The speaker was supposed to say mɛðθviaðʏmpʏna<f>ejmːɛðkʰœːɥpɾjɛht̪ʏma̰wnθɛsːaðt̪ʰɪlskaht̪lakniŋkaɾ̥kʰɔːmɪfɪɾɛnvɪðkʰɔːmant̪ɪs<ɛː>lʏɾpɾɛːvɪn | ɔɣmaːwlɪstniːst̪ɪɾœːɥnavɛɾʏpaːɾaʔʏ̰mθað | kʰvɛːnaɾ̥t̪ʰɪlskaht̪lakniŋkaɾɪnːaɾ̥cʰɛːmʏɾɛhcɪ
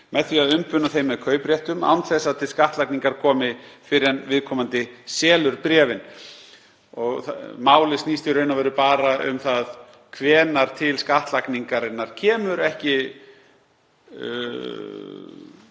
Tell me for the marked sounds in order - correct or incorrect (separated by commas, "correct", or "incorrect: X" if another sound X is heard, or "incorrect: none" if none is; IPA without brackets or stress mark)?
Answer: incorrect: θ, correct